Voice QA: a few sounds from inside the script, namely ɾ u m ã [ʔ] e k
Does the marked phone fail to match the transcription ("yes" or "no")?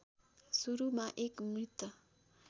no